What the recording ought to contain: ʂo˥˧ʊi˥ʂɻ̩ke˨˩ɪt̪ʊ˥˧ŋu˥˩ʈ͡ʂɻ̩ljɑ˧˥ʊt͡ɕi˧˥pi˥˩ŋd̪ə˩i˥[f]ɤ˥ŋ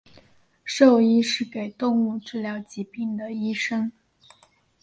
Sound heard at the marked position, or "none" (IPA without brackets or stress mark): ʂ